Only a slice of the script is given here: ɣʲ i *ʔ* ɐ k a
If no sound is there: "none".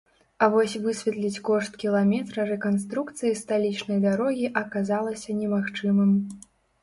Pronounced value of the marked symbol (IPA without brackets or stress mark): ʔ